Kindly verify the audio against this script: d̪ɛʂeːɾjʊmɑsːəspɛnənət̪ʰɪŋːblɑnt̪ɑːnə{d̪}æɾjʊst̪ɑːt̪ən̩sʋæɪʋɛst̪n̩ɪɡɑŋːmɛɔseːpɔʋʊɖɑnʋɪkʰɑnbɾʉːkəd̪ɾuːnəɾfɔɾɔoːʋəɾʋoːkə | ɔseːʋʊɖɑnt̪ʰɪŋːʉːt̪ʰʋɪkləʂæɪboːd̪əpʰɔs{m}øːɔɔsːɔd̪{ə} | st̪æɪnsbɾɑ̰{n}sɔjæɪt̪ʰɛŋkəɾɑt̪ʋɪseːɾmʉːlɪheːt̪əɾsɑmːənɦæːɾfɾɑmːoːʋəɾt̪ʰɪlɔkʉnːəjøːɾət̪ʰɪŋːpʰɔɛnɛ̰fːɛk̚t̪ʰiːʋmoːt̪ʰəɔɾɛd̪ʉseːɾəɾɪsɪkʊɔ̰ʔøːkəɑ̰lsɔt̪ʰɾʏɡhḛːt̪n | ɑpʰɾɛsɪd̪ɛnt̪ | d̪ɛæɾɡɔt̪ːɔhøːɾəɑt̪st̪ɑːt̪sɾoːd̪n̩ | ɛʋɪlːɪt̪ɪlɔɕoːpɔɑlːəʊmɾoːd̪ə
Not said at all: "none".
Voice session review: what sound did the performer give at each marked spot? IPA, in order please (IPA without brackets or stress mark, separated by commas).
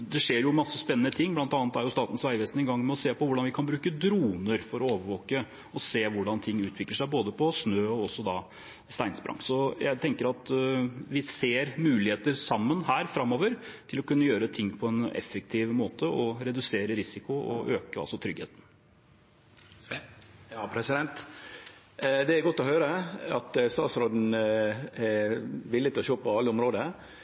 t̪, n, ɑ, ŋ